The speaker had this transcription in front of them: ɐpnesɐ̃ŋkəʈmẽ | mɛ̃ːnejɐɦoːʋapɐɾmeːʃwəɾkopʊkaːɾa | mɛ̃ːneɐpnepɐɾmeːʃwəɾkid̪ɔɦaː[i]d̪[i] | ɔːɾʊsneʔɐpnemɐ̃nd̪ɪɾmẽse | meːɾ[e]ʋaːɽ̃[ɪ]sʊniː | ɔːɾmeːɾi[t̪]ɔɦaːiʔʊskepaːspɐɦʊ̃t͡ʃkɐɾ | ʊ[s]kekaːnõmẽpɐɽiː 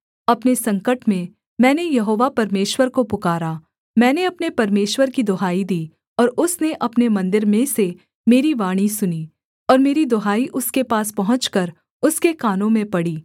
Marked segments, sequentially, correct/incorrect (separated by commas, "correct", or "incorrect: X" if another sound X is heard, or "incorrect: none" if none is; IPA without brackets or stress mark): correct, incorrect: iː, incorrect: i, incorrect: i, incorrect: d̪, correct